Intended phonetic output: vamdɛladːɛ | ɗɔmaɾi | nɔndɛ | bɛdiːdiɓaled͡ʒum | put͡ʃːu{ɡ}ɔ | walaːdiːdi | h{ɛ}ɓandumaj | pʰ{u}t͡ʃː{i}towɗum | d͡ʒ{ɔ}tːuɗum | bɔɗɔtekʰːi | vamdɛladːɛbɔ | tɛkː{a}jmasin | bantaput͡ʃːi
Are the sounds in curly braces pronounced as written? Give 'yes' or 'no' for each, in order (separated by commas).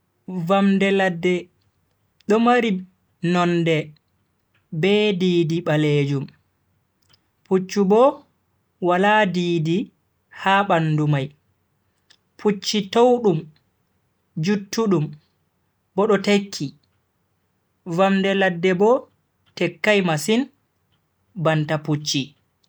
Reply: no, no, yes, yes, no, yes